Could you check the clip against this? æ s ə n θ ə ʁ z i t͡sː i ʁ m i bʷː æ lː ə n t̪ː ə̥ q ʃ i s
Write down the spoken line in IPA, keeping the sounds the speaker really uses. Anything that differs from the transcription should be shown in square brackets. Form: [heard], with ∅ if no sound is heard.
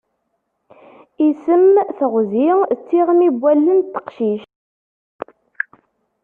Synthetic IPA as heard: [i] s ə [m] θ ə ʁ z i t͡sː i ʁ m i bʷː æ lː ə n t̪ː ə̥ q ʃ i [ʃ]